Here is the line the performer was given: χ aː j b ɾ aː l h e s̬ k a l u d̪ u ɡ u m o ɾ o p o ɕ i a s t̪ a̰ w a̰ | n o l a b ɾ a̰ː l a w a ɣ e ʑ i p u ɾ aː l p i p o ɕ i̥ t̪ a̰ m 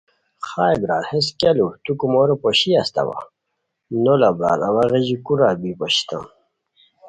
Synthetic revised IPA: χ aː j b ɾ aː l h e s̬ k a l u t̪ u k u m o ɾ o p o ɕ i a s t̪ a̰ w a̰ | n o l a b ɾ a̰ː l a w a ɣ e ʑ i k u ɾ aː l b i p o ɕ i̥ t̪ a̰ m